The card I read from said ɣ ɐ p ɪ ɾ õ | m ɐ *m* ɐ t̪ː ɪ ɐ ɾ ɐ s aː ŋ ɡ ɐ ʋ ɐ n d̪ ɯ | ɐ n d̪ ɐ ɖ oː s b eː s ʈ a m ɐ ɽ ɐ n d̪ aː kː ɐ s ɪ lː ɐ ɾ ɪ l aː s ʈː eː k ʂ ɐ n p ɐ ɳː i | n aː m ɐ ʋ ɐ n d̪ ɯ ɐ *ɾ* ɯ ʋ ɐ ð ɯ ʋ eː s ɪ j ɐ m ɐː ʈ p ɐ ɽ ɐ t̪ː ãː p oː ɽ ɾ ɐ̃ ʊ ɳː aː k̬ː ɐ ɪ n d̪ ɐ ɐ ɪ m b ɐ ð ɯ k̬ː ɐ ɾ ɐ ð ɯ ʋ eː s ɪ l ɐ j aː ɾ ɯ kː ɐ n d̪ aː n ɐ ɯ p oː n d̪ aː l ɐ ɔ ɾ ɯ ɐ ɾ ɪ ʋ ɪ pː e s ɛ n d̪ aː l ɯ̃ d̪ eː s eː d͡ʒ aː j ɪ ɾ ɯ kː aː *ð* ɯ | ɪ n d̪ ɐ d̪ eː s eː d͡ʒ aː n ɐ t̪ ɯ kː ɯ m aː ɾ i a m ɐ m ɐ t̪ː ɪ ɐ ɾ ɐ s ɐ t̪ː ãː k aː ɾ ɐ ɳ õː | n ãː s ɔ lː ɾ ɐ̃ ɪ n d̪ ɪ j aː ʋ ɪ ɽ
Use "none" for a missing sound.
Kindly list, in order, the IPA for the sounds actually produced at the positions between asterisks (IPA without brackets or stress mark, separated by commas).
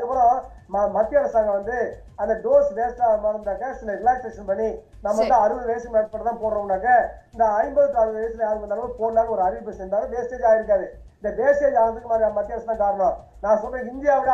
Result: m, ɾ, ð